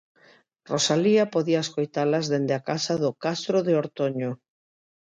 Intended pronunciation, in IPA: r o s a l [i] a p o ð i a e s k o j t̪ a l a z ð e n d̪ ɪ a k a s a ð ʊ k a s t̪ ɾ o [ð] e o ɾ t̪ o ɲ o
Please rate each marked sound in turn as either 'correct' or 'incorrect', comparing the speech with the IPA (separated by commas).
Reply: correct, correct